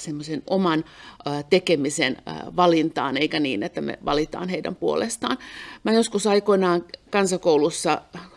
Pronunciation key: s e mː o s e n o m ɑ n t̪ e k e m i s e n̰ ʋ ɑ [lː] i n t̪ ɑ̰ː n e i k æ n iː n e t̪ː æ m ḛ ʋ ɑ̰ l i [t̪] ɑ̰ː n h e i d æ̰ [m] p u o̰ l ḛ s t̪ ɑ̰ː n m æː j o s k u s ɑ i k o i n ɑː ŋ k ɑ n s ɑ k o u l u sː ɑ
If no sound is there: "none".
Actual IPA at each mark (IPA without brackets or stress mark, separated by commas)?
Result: l, t̪, m